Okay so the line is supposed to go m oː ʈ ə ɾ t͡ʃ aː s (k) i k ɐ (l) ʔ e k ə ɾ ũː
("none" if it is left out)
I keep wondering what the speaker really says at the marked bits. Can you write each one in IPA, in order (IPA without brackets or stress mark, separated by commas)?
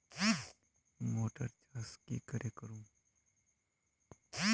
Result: k, ɾ